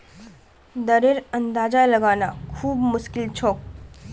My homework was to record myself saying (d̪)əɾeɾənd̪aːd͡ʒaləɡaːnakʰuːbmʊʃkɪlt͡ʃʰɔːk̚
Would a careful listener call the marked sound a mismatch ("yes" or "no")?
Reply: no